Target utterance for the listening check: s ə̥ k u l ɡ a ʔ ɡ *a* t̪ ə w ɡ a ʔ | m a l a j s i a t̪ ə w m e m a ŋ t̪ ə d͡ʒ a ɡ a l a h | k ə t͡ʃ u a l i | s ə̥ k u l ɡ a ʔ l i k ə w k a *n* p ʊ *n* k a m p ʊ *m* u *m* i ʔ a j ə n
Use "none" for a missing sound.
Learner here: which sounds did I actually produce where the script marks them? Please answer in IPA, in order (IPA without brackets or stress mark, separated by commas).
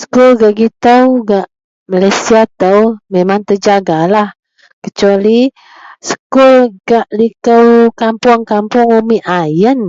i, m, ŋ, ŋ, m